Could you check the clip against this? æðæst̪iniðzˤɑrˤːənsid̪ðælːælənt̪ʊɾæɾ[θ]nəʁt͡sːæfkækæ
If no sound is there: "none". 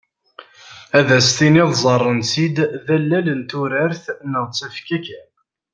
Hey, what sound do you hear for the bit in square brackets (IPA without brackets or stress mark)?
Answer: θ